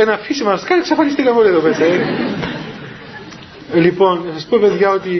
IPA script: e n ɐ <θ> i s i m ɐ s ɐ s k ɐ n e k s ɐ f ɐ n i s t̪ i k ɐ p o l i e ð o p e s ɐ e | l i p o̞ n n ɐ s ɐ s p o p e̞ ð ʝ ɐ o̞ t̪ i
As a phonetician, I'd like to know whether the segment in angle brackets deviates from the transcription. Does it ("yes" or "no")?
yes